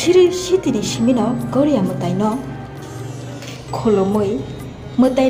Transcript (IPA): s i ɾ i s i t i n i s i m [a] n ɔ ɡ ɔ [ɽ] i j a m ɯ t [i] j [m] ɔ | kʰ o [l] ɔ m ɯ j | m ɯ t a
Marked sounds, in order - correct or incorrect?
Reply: incorrect: i, incorrect: ɾ, incorrect: a, incorrect: n, correct

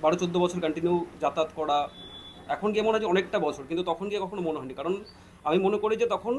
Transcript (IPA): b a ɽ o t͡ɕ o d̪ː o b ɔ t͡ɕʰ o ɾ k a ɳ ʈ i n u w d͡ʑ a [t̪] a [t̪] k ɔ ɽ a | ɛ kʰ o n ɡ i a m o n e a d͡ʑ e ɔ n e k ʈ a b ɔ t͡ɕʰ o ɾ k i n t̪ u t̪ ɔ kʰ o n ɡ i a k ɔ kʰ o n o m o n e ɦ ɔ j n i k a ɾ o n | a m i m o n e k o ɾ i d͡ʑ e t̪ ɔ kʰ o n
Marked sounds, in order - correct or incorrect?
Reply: correct, correct

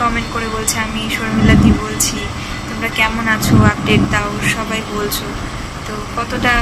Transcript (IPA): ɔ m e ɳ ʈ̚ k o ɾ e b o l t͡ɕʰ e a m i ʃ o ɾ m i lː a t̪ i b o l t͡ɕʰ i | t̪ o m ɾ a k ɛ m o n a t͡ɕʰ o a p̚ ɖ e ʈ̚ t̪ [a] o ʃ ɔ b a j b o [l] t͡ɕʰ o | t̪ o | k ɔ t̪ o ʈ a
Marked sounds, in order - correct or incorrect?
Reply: correct, correct

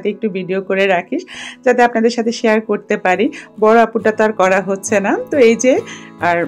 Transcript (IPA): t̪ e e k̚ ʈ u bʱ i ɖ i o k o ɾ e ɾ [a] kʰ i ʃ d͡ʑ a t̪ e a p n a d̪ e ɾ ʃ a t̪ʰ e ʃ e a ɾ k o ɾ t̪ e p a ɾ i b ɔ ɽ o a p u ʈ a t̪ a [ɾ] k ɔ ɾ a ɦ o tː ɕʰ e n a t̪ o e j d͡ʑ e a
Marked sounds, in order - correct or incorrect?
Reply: correct, correct

